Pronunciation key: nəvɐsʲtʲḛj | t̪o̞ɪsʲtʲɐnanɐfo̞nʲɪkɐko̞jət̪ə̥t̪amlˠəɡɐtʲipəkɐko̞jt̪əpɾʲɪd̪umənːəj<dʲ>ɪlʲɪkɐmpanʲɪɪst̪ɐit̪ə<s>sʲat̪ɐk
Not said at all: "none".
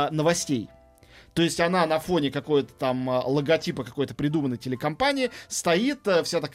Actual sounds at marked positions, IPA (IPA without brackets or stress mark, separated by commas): tʲ, f